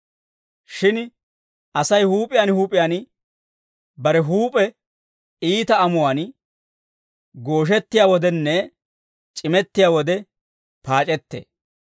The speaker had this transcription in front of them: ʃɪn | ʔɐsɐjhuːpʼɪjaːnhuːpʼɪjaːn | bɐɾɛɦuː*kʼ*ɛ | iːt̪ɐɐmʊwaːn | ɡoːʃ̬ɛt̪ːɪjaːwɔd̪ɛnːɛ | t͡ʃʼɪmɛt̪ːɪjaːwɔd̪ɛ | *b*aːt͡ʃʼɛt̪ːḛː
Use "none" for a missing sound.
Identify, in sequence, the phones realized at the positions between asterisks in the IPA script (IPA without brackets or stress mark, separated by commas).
pʼ, p